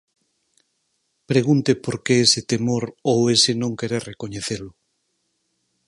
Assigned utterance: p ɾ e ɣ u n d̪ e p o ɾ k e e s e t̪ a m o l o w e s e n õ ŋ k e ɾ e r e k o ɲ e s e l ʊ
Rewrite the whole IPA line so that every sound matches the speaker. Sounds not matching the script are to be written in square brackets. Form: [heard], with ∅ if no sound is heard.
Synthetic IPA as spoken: p ɾ e ɣ u n [t̪] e p o ɾ k e e s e t̪ [e] m o [ɾ] o w e s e n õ ŋ k e ɾ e r e k o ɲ e [θ] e l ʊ